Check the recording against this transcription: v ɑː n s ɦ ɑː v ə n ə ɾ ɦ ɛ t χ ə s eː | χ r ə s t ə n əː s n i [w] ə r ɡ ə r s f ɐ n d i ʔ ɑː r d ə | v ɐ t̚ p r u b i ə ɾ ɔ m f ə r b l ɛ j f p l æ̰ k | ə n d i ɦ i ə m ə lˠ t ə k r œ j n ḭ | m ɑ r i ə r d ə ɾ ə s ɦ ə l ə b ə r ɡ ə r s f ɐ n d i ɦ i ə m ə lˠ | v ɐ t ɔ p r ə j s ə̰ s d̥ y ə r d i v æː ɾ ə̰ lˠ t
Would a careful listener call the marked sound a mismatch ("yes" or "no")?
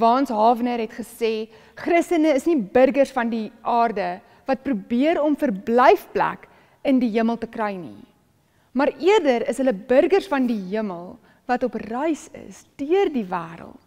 yes